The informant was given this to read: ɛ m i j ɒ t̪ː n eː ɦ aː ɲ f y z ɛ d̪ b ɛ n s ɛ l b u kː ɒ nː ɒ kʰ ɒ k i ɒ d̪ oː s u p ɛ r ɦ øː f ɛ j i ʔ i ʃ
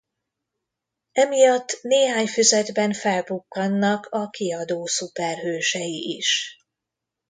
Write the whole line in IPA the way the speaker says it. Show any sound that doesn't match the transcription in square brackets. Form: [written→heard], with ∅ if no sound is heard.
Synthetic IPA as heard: ɛ m i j ɒ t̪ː n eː ɦ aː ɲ f y z ɛ d̪ b ɛ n [s→f] ɛ l b u kː ɒ nː ɒ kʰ ɒ k i ɒ d̪ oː s u p ɛ r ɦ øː [f→ʃ] ɛ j i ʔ i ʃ